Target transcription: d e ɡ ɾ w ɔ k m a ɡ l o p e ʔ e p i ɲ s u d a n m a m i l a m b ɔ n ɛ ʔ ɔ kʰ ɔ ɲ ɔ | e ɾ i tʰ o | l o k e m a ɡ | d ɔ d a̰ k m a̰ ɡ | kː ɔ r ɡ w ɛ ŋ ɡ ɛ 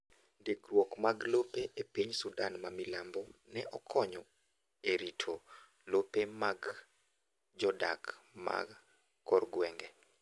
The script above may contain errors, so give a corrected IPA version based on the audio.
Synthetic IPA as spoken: d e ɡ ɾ w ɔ k m a ɡ l o p e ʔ e p i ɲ s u d a n m a m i l a m b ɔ n ɛ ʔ ɔ kʰ ɔ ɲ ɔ | e ɾ i tʰ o | l o p e m a ɡ | d͡ʒ ɔ d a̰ k m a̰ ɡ | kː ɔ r ɡ w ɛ ŋ ɡ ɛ

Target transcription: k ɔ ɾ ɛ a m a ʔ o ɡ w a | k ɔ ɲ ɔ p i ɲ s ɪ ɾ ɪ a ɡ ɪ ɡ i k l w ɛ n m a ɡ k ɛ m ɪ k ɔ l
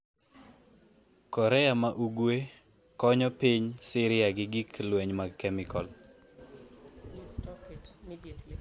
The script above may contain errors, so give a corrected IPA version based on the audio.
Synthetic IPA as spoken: k ɔ ɾ ɛ a m a ʔ u ɡ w e | k ɔ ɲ ɔ p i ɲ s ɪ ɾ ɪ a ɡ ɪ ɡ i k l w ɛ ɲ m a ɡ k ɛ m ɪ k ɔ l

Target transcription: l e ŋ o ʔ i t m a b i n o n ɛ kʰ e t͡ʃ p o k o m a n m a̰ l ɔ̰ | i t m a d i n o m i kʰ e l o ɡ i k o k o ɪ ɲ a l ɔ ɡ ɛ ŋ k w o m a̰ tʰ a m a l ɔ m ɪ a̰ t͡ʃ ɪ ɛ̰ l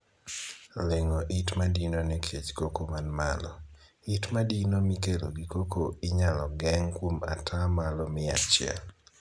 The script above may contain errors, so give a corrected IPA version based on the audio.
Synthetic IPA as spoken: l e ŋ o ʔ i t m a d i n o n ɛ kʰ e t͡ʃ k o k o m a n m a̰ l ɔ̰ | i t m a d i n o m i k e l o ɡ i k o k o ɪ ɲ a l ɔ ɡ ɛ ŋ k w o m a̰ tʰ a m a l ɔ m ɪ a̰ t͡ʃ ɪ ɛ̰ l

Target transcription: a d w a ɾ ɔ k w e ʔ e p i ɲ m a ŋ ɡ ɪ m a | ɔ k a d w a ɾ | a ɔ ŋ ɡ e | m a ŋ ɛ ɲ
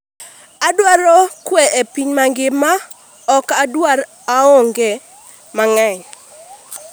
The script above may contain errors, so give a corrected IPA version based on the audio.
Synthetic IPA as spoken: a d w a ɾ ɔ k w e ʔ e p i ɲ m a ŋ ɡ ɪ m a | ɔ k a d w a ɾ | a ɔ ŋ ɡ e | m a ŋ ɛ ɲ

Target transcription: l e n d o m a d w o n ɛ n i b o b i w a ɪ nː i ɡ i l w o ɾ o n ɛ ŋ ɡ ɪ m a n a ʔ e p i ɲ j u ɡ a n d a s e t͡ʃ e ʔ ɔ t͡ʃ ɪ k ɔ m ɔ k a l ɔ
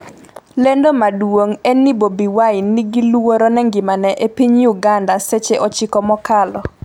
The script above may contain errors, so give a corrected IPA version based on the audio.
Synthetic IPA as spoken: l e n d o m a d w o ŋ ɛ n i b o b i w a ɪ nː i ɡ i l w o ɾ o n ɛ ŋ ɡ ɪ m a n ɛ ʔ e p i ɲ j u ɡ a n d a s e t͡ʃ e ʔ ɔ t͡ʃ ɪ k ɔ m ɔ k a l ɔ

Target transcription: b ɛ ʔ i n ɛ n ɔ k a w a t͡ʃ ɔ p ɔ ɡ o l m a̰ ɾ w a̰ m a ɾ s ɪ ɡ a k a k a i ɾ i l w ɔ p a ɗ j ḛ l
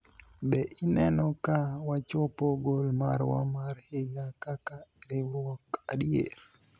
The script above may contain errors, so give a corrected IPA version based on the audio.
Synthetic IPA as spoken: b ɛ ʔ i n ɛ n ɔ k a w a t͡ʃ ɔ p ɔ ɡ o l m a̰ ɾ w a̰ m a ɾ h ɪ ɡ a k a k a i ɾ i ɾ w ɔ k a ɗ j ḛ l

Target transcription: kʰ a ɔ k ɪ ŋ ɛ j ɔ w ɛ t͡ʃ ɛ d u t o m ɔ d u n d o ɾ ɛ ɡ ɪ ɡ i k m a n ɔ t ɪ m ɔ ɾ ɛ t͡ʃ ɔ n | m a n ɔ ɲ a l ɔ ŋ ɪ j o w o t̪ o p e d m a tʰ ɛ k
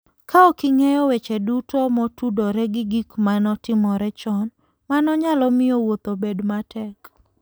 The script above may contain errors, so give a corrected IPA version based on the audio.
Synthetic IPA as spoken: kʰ a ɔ k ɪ ŋ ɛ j ɔ w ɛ t͡ʃ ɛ d u t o m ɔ t u d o ɾ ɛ ɡ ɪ ɡ i k m a n ɔ t ɪ m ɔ ɾ ɛ t͡ʃ ɔ n | m a n ɔ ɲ a l ɔ m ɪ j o w o t̪ o b e d m a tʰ ɛ k

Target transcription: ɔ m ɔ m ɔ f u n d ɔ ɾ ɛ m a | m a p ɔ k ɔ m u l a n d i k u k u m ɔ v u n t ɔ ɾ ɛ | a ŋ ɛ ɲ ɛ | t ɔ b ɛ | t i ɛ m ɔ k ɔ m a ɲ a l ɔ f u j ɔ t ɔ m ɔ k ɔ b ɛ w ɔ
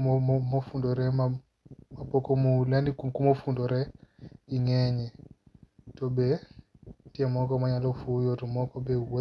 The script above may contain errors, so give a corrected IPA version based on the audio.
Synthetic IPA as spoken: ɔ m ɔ m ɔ f u n d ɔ ɾ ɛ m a | m a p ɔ k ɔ m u l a n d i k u k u m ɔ f u n d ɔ ɾ ɛ | i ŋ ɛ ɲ ɛ | t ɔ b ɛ | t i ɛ m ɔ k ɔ m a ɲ a l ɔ f u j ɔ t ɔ m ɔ k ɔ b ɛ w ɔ

